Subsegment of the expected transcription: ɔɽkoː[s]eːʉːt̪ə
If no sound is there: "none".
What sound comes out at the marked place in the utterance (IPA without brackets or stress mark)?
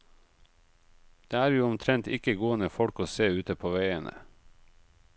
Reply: s